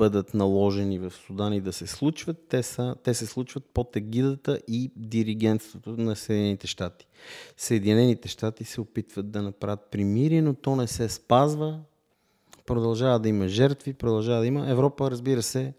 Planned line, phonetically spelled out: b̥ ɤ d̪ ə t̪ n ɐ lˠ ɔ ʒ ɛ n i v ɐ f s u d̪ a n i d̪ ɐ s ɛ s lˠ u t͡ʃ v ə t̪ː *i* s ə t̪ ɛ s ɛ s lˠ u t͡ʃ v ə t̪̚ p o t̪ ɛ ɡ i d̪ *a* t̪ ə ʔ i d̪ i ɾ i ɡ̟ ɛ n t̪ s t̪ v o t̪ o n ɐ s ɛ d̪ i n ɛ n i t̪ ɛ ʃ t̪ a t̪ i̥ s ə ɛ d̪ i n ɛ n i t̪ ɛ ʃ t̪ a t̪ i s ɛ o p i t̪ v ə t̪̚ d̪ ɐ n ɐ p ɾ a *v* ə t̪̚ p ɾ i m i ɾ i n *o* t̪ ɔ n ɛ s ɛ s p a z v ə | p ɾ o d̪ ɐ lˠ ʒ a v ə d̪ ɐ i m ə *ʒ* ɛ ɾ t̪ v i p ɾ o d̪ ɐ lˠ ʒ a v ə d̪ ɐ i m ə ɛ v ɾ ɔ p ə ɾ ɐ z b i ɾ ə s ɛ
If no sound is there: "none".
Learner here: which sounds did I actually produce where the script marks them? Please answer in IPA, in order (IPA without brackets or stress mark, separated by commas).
ɛ, ə, v, o, ʒ